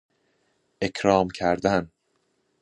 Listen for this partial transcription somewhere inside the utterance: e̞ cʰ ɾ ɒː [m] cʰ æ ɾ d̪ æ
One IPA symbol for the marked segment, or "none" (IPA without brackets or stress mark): m